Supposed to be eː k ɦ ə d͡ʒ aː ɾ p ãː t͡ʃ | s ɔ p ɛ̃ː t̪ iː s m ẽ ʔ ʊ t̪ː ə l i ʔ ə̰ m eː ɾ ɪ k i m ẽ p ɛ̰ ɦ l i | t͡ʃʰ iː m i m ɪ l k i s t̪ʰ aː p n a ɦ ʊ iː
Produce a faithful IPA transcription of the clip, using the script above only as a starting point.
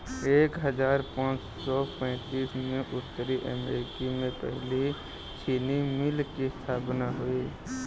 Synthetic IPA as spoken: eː k ɦ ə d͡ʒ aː ɾ p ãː t͡ʃ | s ɔ p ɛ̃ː t̪ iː s m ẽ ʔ ʊ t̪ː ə ɾ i ʔ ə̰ m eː ɾ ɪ k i m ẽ p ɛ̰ ɦ l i | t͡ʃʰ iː n i m ɪ l k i s t̪ʰ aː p n a ɦ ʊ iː

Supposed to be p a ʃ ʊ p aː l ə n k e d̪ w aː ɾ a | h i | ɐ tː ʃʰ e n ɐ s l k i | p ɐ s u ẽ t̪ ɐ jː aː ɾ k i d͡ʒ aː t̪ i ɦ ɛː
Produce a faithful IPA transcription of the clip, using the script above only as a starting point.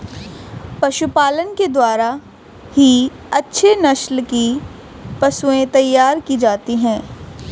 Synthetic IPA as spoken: p ɐ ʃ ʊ p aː l ə n k e d̪ w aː ɾ a | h i | ɐ tː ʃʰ e n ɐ ʃ l k i | p ɐ s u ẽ t̪ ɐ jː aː ɾ k i d͡ʒ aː t̪ i ɦ ɛ̃ː

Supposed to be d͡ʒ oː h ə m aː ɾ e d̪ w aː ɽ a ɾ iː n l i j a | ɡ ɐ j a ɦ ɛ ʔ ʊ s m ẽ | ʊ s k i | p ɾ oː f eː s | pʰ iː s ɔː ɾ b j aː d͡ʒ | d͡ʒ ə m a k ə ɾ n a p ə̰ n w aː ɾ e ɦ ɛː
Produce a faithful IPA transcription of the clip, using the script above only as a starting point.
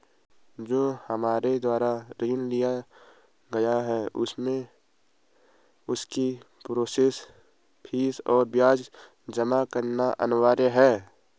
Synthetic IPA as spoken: d͡ʒ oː h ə m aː ɾ e d̪ w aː ɾ a ɾ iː n l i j a | ɡ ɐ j a ɦ ɛ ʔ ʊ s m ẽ | ʊ s k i | p ɾ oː s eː s | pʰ iː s ɔː ɾ b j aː d͡ʒ | d͡ʒ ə m a k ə ɾ n a ʔ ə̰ n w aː ɾ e ɦ ɛː

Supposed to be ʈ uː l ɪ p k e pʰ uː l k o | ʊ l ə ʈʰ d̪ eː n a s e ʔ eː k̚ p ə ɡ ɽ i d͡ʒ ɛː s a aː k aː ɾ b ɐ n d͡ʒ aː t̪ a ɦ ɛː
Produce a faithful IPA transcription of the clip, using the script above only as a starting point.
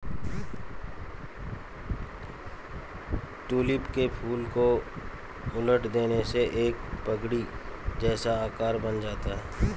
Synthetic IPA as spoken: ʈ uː l ɪ p k e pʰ uː l k o | ʊ l ə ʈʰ d̪ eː n e s e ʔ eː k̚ p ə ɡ ɽ i d͡ʒ ɛː s a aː k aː ɾ b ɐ n d͡ʒ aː t̪ a ɦ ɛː

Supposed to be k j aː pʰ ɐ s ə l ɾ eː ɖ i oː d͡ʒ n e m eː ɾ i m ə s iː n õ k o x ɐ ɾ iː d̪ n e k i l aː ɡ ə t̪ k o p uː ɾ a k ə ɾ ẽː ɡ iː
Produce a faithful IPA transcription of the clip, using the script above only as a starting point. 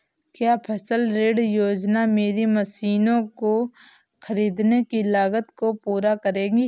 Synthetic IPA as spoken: k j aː pʰ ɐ s ə l ɾ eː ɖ j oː d͡ʒ n a m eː ɾ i m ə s iː n õ k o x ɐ ɾ iː d̪ n e k i l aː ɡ ə t̪ k o p uː ɾ a k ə ɾ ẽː ɡ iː

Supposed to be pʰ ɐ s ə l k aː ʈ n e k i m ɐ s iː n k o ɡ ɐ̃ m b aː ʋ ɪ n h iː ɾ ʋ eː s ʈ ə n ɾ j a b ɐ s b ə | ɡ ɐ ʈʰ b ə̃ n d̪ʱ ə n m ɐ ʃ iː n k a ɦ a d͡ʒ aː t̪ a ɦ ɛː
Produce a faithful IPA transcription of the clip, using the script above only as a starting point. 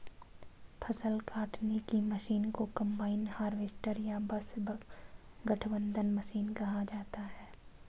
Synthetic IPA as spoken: pʰ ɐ s ə l k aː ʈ n e k i m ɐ ʃ iː n k o k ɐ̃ m b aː ɪ n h aː ɾ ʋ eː s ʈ ə ɾ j a b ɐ s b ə | ɡ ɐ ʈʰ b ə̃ n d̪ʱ ə n m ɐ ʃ iː n k ɐ ɦ a d͡ʒ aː t̪ a ɦ ɛː

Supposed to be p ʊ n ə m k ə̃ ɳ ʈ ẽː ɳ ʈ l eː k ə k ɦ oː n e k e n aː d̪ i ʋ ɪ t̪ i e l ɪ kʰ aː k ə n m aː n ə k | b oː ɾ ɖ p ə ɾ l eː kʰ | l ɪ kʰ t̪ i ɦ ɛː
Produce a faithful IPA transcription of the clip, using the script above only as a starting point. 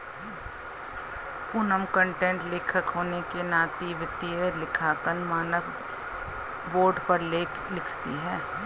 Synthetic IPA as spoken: p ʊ n ə m k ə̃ ɳ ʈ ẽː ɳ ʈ l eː kʰ ə k ɦ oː n e k e n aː t̪ i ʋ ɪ t̪ i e l ɪ kʰ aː k ə n m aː n ə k | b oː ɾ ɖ p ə ɾ l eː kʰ | l ɪ kʰ t̪ i ɦ ɛː

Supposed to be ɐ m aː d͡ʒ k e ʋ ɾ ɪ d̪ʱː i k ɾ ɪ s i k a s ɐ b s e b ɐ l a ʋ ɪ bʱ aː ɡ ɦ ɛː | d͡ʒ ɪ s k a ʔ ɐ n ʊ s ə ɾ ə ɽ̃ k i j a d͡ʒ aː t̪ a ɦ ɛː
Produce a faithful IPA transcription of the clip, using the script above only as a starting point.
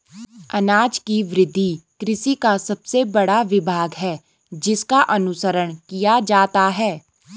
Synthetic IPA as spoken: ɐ n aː d͡ʒ k i ʋ ɾ ɪ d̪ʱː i k ɾ ɪ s i k a s ɐ b s e b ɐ ɽ a ʋ ɪ bʱ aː ɡ ɦ ɛː | d͡ʒ ɪ s k a ʔ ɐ n ʊ s ə ɾ ə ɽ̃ k i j a d͡ʒ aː t̪ a ɦ ɛː

